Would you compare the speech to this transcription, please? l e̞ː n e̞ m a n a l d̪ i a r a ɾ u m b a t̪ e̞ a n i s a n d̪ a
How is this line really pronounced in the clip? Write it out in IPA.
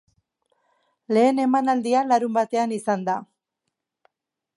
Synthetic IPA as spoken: l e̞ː n e̞ m a n a l d̪ i a l a ɾ u m b a t̪ e̞ a n i s a n d̪ a

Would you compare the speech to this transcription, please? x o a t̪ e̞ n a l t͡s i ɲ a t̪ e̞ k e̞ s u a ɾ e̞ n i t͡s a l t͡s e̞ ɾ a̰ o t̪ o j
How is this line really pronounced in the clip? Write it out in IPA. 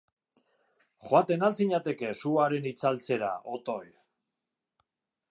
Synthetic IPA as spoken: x o a t̪ e̞ n a l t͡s i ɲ a t̪ e̞ k e̞ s u a ɾ e̞ n i t͡s a l t͡s e̞ ɾ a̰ o t̪ o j

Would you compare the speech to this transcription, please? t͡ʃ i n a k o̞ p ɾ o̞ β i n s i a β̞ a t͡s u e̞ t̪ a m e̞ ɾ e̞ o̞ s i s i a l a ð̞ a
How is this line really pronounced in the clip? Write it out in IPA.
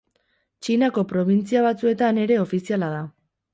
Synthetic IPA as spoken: t͡ʃ i n a k o̞ p ɾ o̞ β i n t͡s i a β̞ a t͡s u e̞ t̪ a n e̞ ɾ e̞ o̞ f i s i a l a ð̞ a

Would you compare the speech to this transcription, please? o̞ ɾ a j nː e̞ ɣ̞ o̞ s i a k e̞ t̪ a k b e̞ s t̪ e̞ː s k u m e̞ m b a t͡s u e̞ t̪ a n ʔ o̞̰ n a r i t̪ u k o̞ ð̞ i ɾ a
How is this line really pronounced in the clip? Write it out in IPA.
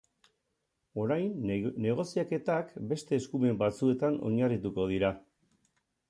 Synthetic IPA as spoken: o̞ ɾ a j nː e̞ ɣ̞ o̞ s i a k e̞ t̪ a k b e̞ s t̪ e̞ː s k u m e̞ m b a t͡s u e̞ t̪ a n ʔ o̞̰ ɲ a r i t̪ u k o̞ ð̞ i ɾ a

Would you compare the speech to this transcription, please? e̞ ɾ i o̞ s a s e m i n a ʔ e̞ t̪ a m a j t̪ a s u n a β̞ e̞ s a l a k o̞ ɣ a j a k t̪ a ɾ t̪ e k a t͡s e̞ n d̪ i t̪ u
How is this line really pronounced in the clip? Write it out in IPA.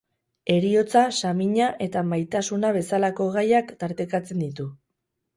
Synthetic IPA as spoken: e̞ ɾ i o̞ t͡s a s a m i ɲ a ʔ e̞ t̪ a m a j t̪ a s u n a β̞ e̞ s a l a k o̞ ɣ a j a k t̪ a ɾ t̪ e k a t͡s e̞ n d̪ i t̪ u

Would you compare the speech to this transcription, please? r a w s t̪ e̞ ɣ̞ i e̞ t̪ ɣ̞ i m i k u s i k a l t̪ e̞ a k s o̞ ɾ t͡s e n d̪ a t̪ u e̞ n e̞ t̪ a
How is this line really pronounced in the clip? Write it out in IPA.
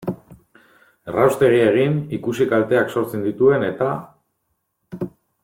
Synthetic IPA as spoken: r a w s t̪ e̞ ɣ̞ i e̞ ɣ̞ i n i k u s i k a l t̪ e̞ a k s o̞ ɾ t͡s e n d̪ i t̪ u e̞ n e̞ t̪ a

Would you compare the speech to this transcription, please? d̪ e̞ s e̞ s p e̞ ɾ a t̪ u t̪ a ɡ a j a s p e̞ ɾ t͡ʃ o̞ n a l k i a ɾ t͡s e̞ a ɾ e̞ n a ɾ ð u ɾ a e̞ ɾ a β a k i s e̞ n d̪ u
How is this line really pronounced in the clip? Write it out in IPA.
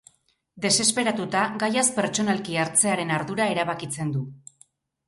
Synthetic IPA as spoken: d̪ e̞ s e̞ s p e̞ ɾ a t̪ u t̪ a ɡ a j a s p e̞ ɾ t͡ʃ o̞ n a l k i a ɾ t͡s e̞ a ɾ e̞ n a ɾ ð u ɾ a e̞ ɾ a β a k i t͡s e̞ n d̪ u

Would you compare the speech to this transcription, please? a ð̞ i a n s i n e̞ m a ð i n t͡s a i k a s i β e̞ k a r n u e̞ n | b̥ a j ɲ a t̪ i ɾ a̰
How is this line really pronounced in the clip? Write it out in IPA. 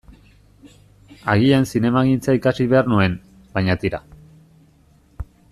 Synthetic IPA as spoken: a ɣ̞ i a n s i n e̞ m a ɣ i n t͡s a i k a s i β e̞ a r n u e̞ n | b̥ a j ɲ a t̪ i ɾ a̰

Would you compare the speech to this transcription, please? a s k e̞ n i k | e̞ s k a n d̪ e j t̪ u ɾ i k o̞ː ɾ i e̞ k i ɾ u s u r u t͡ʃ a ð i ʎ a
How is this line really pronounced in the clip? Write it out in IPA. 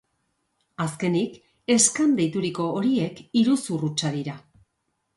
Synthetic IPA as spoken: a s k e̞ n i k | e̞ s k a n d̪ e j t̪ u ɾ i k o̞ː ɾ i e̞ k i ɾ u s u r u t͡ʃ a ð i ɾ a

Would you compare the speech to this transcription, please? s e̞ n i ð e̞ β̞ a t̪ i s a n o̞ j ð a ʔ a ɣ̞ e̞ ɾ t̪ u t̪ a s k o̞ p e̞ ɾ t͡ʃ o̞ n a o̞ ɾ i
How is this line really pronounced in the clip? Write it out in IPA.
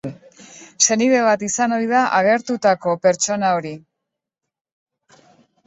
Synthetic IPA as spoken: s e̞ n i ð e̞ β̞ a t̪ i s a n o̞ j ð a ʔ a ɣ̞ e̞ ɾ t̪ u t̪ a k o̞ p e̞ ɾ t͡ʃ o̞ n a o̞ ɾ i

